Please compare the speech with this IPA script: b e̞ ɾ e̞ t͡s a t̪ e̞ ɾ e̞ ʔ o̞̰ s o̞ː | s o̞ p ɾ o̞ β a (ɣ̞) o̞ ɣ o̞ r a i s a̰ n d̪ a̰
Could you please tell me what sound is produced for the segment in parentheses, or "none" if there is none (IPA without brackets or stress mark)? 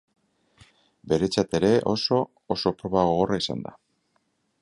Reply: ɣ̞